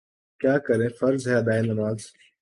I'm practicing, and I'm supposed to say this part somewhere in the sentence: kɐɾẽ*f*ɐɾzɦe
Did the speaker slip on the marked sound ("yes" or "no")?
no